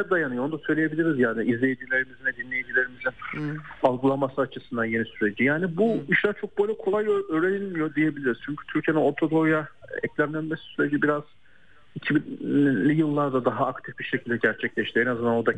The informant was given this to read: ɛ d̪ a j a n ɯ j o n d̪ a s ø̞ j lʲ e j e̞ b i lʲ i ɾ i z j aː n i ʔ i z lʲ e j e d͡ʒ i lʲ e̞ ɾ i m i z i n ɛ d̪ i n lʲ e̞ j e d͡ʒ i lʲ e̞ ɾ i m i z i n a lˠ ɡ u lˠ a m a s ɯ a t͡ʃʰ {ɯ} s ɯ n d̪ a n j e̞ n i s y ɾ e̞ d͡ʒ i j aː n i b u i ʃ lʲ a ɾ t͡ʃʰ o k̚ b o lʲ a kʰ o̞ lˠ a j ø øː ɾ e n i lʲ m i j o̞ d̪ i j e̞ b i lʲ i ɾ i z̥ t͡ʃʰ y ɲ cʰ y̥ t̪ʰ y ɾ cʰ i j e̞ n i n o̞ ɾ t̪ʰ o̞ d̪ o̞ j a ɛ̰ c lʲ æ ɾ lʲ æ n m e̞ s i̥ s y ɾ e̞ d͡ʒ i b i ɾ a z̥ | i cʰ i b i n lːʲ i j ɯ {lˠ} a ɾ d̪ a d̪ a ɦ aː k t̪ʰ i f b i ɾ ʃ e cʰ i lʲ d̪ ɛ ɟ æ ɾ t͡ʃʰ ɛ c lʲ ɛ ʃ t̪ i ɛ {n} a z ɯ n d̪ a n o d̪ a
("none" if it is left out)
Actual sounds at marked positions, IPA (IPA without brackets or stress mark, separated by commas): ɯ, lˠː, n